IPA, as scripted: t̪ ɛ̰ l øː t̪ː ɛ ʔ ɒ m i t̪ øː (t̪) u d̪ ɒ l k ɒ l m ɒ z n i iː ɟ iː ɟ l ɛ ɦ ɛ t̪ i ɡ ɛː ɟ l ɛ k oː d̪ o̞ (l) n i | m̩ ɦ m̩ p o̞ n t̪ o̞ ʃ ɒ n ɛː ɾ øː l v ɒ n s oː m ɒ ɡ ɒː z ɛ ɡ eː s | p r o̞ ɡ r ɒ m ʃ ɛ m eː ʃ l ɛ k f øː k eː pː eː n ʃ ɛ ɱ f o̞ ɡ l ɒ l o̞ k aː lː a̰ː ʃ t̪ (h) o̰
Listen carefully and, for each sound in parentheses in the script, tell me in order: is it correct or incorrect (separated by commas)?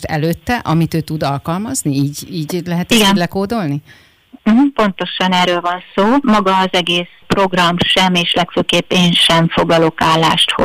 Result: correct, correct, correct